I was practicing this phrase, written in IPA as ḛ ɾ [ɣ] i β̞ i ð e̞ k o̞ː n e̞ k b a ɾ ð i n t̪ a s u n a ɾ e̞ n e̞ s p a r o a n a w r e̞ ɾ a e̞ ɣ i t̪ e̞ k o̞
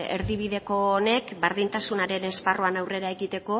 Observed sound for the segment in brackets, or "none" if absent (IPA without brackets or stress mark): ð